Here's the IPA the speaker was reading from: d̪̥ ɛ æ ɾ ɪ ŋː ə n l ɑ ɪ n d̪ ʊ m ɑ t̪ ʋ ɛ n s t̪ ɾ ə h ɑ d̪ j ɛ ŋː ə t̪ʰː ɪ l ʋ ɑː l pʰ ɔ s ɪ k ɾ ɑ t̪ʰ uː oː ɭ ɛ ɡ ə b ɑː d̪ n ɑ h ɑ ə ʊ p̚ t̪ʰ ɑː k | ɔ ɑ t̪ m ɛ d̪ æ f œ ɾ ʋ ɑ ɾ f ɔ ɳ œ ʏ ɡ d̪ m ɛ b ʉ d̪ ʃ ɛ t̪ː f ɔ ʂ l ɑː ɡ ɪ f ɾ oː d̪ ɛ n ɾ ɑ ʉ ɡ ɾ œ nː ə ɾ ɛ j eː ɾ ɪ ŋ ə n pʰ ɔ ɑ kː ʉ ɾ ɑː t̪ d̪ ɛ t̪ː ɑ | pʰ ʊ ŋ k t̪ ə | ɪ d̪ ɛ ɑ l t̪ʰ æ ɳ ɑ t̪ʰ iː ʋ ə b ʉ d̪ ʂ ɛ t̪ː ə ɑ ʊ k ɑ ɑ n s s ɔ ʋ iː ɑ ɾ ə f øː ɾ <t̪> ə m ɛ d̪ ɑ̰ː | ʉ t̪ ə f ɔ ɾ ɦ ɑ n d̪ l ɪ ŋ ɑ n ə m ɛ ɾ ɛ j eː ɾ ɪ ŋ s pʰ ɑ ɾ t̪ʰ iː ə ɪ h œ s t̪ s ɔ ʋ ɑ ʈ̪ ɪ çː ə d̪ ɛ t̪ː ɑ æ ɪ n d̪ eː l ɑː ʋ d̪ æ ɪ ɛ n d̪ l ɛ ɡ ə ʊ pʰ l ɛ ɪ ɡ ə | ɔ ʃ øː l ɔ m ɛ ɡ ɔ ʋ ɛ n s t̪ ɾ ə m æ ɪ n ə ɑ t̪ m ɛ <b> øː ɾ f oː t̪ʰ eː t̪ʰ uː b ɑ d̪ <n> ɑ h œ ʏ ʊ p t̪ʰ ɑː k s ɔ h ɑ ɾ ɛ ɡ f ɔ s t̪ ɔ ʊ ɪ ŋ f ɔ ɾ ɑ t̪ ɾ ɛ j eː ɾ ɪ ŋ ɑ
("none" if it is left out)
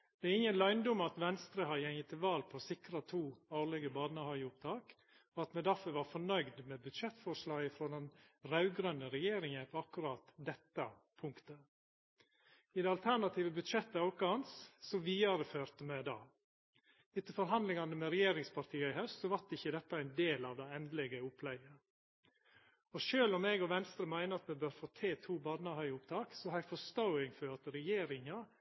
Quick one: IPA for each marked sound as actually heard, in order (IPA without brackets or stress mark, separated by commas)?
t̪, b, n